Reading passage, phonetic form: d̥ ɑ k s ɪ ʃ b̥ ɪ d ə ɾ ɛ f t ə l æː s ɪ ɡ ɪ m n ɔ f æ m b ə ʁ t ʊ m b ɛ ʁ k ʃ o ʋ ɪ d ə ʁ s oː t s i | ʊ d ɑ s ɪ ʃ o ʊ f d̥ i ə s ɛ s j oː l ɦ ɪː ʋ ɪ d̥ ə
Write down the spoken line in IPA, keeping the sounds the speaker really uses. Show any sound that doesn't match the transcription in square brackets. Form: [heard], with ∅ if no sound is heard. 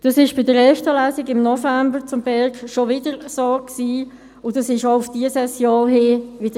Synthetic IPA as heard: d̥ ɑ [∅] s ɪ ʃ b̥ ɪ d ə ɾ ɛ f t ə l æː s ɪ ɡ ɪ m n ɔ f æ m b ə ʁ [t͡s] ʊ m b ɛ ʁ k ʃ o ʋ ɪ d ə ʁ s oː [k] s [iː] | ʊ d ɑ s ɪ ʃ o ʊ f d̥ i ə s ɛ s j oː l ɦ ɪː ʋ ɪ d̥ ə